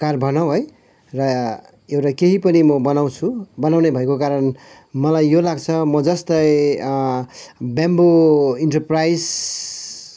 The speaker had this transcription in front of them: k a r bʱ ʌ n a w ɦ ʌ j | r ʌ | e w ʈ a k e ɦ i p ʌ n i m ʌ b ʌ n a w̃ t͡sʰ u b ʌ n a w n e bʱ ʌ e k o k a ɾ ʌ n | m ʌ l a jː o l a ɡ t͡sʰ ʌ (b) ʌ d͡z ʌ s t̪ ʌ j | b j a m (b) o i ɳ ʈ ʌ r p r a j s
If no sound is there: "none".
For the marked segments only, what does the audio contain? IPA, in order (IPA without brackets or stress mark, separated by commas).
m, b